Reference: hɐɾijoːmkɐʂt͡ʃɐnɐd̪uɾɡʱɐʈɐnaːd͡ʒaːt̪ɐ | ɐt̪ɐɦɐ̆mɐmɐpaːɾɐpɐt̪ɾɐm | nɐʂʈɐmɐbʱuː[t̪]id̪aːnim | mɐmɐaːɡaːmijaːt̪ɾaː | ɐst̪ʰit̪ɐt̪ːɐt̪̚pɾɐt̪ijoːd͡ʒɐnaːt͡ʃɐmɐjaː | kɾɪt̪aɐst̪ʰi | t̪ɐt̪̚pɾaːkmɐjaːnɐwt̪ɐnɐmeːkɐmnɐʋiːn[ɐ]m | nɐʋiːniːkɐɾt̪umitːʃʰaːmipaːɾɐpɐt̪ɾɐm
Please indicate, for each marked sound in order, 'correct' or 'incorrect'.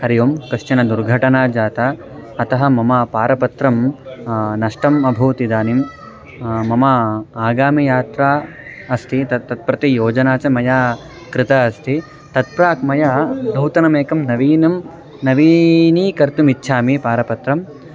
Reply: correct, correct

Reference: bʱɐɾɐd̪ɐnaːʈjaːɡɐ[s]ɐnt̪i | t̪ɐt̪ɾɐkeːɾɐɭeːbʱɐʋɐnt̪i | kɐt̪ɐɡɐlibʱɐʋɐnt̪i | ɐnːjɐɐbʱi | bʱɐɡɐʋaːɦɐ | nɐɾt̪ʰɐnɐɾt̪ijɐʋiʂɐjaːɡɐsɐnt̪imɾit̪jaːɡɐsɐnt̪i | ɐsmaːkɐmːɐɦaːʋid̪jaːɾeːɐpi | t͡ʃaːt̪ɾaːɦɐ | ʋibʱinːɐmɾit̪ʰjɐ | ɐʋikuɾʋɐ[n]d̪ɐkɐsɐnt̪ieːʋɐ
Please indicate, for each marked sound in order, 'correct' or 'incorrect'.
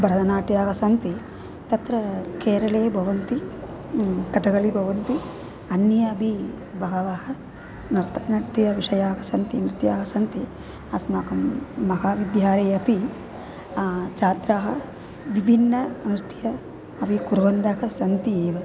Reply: correct, correct

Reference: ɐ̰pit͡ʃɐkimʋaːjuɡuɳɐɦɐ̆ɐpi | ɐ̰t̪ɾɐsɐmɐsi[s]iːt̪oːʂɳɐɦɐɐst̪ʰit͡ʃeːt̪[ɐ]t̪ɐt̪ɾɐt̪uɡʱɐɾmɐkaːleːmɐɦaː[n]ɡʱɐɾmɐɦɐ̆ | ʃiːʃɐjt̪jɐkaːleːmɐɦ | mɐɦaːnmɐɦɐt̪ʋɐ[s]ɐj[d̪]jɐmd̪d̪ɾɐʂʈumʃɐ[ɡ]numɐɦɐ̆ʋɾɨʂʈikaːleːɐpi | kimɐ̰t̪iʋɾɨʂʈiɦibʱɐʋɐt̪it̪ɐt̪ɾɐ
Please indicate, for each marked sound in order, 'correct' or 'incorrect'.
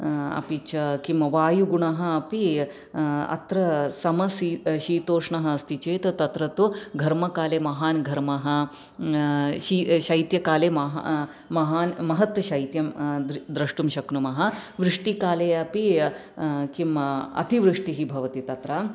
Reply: incorrect, correct, correct, incorrect, incorrect, incorrect

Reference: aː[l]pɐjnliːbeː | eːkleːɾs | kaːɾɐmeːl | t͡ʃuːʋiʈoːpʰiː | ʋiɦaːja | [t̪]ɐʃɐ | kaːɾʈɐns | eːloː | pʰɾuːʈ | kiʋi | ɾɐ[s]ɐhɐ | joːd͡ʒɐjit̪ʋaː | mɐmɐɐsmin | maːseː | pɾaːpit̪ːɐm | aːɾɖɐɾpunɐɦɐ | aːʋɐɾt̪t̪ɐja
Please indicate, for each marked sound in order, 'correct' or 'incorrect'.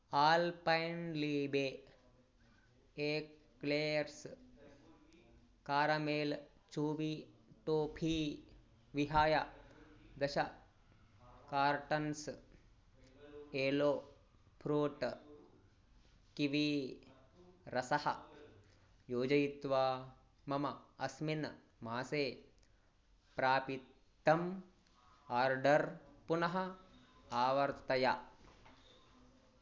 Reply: correct, incorrect, correct

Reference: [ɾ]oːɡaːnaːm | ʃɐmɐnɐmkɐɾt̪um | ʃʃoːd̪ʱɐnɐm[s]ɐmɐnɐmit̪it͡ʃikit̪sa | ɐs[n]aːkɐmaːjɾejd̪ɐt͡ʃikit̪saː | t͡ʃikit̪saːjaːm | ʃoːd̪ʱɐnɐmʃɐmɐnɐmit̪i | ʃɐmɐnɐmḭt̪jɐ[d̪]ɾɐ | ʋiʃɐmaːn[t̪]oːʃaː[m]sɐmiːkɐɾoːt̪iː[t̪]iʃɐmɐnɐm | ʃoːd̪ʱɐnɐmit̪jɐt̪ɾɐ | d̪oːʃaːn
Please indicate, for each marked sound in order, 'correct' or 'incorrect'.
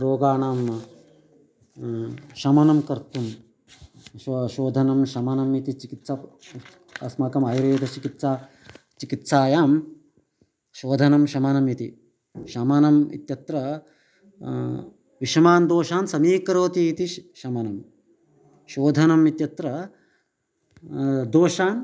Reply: correct, incorrect, incorrect, incorrect, incorrect, incorrect, correct

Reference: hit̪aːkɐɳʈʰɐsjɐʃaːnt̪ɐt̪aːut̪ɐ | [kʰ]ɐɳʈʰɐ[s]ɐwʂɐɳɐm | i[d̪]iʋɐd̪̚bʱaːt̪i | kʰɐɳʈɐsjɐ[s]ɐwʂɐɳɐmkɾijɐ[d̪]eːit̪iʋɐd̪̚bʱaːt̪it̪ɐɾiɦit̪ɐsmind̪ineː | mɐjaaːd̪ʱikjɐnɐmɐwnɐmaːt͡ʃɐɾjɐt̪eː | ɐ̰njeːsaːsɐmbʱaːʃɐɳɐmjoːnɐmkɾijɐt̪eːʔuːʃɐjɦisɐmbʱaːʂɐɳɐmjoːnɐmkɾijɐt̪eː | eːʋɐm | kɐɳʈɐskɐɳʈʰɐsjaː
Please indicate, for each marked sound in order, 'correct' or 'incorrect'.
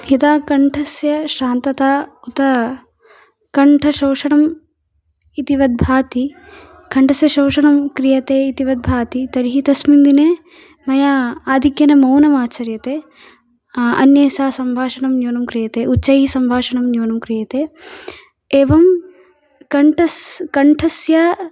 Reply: incorrect, incorrect, incorrect, incorrect, incorrect

